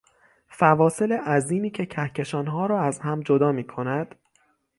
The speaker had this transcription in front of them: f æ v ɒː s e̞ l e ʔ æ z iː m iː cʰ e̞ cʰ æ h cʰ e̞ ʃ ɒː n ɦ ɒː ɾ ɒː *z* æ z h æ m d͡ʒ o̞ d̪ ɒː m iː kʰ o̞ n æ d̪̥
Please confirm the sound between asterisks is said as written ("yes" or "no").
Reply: no